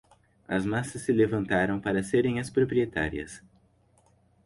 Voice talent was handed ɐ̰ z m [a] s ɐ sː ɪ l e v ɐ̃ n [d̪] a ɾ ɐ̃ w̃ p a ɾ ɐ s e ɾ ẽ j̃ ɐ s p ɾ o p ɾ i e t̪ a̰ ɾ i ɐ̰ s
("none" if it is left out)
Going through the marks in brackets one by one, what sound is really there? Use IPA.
a, t̪

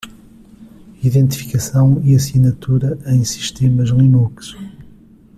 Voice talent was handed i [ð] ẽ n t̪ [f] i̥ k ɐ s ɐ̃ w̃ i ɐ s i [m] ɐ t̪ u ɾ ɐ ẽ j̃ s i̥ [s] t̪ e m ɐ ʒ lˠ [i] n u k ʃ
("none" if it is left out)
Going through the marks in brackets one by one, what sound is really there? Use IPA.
ð, f, n, ʃ, i

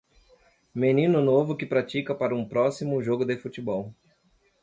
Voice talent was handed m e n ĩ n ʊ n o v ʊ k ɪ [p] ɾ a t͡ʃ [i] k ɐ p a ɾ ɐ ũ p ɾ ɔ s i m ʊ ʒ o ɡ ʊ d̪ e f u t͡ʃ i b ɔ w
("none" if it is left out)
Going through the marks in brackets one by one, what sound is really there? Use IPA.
p, i

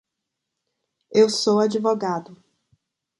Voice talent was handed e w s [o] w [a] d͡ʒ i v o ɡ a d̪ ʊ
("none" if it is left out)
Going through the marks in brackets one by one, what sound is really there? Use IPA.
o, a

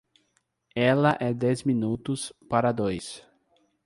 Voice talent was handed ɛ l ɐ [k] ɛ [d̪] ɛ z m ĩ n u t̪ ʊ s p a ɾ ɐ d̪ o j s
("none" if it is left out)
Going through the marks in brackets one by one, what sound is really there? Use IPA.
ʔ, d̪

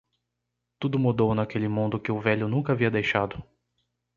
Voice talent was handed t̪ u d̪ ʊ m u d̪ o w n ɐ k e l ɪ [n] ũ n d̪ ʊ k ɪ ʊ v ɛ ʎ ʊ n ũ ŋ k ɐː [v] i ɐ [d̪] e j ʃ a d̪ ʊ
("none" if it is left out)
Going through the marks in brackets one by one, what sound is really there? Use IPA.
m, v, d̪

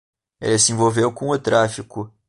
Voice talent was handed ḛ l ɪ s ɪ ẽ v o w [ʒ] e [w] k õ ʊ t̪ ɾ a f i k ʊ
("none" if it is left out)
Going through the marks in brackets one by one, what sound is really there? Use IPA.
v, w

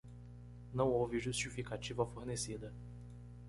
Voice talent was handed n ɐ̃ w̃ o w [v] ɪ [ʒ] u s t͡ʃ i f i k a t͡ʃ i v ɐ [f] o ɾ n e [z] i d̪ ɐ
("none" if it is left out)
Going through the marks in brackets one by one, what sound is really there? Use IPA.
v, ʒ, f, s

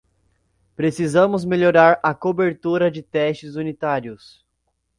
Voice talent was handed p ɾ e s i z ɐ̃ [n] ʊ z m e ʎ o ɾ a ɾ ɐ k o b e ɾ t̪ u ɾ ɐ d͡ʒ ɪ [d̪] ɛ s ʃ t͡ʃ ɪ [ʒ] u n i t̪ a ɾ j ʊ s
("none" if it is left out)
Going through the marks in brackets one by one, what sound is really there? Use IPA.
m, t̪, z

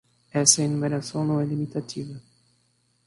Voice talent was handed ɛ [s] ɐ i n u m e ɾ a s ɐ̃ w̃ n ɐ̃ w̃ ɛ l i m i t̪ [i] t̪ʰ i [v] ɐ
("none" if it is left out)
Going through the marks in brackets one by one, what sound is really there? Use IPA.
s, a, v

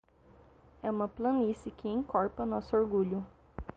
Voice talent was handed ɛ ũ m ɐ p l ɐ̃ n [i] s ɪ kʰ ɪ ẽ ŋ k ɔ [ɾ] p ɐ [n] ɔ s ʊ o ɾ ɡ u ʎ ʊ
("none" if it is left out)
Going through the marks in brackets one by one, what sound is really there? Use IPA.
i, ɾ, n

